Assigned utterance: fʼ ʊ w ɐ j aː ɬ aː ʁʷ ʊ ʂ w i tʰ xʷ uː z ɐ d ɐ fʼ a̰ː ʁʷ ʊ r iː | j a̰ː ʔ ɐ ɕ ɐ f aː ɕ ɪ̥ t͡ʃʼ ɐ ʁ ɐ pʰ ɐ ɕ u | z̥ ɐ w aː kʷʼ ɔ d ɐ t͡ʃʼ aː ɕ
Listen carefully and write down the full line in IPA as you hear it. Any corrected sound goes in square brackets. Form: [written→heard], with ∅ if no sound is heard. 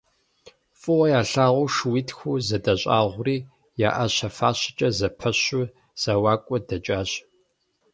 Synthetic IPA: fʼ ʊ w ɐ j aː ɬ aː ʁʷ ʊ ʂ w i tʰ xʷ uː z ɐ d ɐ [fʼ→ɕʼ] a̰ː ʁʷ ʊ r iː | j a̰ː ʔ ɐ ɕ ɐ f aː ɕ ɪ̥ t͡ʃʼ ɐ [ʁ→z] ɐ pʰ ɐ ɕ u | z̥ ɐ w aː kʷʼ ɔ d ɐ t͡ʃʼ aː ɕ

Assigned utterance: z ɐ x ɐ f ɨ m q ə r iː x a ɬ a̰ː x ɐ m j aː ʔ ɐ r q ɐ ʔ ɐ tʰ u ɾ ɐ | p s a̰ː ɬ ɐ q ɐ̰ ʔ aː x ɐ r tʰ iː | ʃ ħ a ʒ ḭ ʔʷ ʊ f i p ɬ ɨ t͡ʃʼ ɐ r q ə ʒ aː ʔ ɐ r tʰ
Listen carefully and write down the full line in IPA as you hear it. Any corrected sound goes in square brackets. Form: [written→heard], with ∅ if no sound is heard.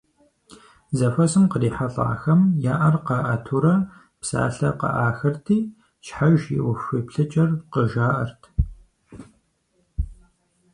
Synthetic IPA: z ɐ [x→f] ɐ [f→s] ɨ m q ə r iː [x→ħ] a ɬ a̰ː x ɐ m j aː ʔ ɐ r q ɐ ʔ ɐ tʰ u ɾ ɐ | p s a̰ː ɬ ɐ q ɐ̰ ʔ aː x ɐ r tʰ iː | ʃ ħ a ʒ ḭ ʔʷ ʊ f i p ɬ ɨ t͡ʃʼ ɐ r q ə ʒ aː ʔ ɐ r tʰ

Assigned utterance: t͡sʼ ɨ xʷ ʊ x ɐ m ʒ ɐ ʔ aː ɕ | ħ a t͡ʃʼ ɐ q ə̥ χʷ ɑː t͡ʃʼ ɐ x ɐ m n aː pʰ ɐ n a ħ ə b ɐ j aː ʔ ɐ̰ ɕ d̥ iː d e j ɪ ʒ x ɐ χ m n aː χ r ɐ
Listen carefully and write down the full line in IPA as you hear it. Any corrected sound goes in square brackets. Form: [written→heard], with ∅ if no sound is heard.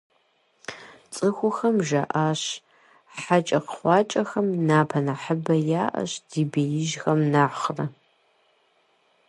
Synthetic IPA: t͡sʼ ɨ xʷ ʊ x ɐ m ʒ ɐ ʔ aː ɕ | ħ a t͡ʃʼ ɐ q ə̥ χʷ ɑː t͡ʃʼ ɐ x ɐ m n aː pʰ ɐ n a ħ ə b ɐ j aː ʔ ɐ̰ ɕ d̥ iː [d→b] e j ɪ ʒ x ɐ [χ→∅] m n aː χ r ɐ

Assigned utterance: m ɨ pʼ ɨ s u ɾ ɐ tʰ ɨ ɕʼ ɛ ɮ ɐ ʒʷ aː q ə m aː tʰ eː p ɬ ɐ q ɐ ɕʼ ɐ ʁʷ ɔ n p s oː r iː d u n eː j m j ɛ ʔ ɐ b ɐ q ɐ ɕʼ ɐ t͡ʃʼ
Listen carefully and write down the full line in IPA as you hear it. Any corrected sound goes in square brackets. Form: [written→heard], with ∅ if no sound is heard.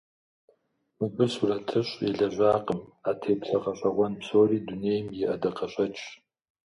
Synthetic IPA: m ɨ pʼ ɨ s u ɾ ɐ tʰ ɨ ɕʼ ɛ ɮ ɐ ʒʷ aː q ə m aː tʰ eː p ɬ ɐ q ɐ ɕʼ ɐ ʁʷ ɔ n p s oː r iː d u n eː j m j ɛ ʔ ɐ [b→d] ɐ q ɐ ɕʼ ɐ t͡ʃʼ

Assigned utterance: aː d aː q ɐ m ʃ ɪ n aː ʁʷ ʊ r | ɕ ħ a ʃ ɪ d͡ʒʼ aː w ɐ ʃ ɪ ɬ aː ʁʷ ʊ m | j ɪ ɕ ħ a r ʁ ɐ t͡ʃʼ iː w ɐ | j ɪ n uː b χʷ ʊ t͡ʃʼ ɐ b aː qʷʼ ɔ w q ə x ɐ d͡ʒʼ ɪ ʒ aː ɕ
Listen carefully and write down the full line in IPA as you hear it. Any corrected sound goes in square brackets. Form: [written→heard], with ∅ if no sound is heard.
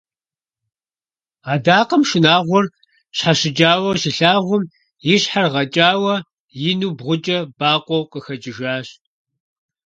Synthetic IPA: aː d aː q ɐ m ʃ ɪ n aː ʁʷ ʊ r | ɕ ħ a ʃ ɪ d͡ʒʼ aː w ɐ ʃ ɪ ɬ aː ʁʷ ʊ m | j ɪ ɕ ħ a r ʁ ɐ t͡ʃʼ [iː→aː] w ɐ | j ɪ n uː b [χʷ→ʁʷ] ʊ t͡ʃʼ ɐ b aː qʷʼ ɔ w q ə x ɐ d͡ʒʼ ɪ ʒ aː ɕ

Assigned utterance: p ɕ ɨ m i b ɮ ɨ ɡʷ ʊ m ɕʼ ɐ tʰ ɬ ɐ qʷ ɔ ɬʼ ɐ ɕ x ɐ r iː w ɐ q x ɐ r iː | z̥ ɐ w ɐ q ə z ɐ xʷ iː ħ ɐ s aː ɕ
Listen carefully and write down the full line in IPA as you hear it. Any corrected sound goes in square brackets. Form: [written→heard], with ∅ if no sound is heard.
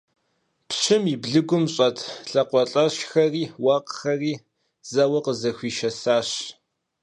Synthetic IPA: p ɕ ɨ m i b ɮ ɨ ɡʷ ʊ m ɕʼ ɐ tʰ ɬ ɐ qʷ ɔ ɬʼ ɐ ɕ x ɐ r iː w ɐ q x ɐ r iː | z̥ ɐ w ɐ q ə z ɐ xʷ iː [ħ→ʃ] ɐ s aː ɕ

